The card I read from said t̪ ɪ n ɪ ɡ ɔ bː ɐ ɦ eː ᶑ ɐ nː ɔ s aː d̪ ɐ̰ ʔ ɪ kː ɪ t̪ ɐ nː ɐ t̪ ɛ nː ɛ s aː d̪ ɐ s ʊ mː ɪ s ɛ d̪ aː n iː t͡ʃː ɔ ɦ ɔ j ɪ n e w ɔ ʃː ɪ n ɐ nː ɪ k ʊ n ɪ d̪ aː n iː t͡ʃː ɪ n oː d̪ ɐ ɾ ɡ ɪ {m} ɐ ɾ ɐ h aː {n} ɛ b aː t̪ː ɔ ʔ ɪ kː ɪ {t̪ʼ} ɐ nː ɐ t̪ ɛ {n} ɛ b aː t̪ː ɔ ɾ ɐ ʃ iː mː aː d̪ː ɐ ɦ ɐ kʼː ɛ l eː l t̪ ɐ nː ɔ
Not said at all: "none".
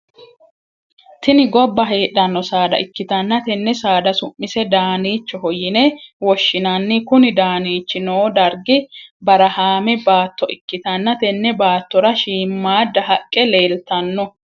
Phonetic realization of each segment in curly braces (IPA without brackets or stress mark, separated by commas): b, m, t̪, nː